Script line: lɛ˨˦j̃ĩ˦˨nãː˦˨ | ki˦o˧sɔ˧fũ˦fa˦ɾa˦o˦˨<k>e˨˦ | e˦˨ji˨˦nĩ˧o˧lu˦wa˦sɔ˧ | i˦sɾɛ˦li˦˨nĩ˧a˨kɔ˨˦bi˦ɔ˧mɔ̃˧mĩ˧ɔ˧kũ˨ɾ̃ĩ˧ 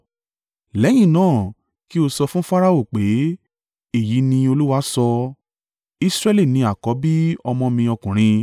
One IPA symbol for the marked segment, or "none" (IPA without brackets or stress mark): k͡p